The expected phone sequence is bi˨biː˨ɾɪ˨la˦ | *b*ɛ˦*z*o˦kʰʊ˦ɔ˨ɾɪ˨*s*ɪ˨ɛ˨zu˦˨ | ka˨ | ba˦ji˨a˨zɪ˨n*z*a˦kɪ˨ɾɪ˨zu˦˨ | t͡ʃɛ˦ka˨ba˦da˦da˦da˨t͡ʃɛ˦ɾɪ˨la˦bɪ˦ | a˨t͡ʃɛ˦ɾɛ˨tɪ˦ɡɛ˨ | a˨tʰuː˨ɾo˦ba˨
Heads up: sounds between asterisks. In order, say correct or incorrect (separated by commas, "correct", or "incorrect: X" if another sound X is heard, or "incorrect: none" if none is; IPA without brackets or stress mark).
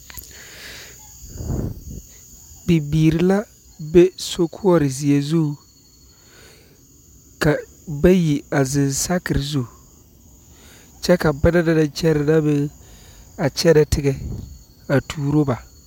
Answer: correct, incorrect: s, incorrect: z, incorrect: s